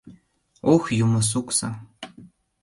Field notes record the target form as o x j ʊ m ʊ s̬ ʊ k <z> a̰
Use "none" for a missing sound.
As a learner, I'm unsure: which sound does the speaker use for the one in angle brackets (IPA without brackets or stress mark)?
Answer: s